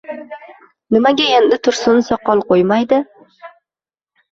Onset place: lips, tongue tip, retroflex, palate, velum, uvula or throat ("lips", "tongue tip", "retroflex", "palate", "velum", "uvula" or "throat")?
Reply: tongue tip